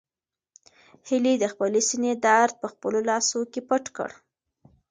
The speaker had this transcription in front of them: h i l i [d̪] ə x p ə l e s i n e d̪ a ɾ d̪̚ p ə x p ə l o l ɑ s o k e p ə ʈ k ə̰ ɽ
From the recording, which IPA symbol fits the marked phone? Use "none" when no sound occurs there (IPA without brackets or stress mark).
d̪